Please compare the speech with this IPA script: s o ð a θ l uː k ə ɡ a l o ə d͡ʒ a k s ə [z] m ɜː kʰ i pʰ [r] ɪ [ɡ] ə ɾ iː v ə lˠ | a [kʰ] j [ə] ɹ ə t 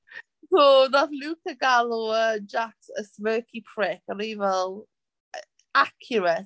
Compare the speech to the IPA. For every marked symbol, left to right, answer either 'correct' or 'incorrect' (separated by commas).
incorrect, incorrect, incorrect, correct, correct